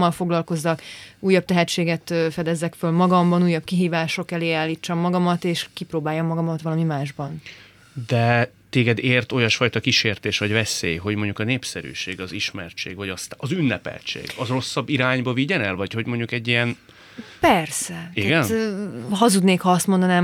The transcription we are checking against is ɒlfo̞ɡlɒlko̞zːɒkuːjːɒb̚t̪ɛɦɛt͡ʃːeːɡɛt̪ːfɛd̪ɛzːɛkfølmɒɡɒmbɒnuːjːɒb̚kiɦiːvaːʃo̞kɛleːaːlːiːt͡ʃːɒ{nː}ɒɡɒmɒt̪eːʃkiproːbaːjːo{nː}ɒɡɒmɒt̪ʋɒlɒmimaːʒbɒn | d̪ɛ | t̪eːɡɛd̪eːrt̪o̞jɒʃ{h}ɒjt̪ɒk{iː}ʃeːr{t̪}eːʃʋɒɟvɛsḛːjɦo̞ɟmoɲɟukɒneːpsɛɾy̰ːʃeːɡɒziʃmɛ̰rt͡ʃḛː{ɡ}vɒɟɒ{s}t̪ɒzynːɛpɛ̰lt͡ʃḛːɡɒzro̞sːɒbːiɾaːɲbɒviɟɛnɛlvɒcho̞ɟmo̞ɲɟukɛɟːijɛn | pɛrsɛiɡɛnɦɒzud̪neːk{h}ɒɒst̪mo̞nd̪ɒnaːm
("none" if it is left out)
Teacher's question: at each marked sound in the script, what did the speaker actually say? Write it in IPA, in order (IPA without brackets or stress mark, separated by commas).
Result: mː, mː, f, i, t̪, ɡ, s, h